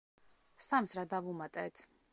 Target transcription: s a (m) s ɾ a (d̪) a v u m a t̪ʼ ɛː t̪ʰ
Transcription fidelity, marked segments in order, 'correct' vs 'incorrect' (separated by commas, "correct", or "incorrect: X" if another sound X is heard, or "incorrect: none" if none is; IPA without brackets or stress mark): correct, correct